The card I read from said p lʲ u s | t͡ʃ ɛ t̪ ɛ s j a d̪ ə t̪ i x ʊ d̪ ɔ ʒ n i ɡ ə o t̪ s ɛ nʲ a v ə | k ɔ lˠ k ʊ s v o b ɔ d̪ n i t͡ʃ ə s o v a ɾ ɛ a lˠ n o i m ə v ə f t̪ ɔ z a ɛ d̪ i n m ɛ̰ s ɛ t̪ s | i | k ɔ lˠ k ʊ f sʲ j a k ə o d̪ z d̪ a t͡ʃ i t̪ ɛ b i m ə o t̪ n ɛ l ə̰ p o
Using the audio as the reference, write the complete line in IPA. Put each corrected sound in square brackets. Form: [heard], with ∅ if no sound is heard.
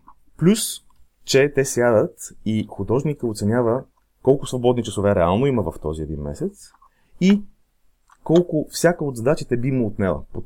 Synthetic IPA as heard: p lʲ u s | t͡ʃ ɛ t̪ ɛ s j a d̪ ə t̪ i x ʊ d̪ ɔ ʒ n i [k] ə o t̪ s ɛ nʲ a v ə | k ɔ lˠ k ʊ s v o b ɔ d̪ n i t͡ʃ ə s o v [ɛ] ɾ ɛ a lˠ n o i m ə v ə f t̪ ɔ z [i] ɛ d̪ i n m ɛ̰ s ɛ t̪ s | i | k ɔ lˠ k ʊ f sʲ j a k ə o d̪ z d̪ a t͡ʃ i t̪ ɛ b i m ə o t̪ n ɛ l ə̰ p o